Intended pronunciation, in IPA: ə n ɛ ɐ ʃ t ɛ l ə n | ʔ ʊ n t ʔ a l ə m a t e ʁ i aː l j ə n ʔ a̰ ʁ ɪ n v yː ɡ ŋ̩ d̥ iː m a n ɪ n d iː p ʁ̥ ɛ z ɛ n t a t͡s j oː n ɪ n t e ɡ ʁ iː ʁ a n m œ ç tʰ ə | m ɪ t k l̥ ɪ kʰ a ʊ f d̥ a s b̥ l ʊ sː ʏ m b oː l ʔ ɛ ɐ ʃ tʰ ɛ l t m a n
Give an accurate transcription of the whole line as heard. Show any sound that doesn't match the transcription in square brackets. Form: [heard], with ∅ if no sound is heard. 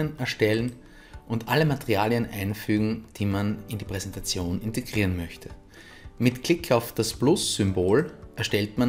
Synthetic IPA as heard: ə n ɛ ɐ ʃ t ɛ l ə n | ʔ ʊ n t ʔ a l ə m a t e ʁ i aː l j ə n ʔ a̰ [∅] ɪ n [f] yː ɡ ŋ̩ d̥ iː m a n ɪ n d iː p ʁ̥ ɛ z ɛ n t a t͡s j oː n ɪ n t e ɡ ʁ iː ʁ [ə] n m œ ç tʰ ə | m ɪ t k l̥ ɪ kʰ a ʊ f d̥ a s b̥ l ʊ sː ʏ m b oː l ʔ ɛ ɐ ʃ [t] ɛ l t m a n